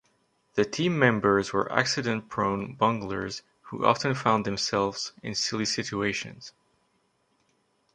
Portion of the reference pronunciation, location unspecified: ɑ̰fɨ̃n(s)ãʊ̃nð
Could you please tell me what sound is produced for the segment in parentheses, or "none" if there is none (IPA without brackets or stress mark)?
f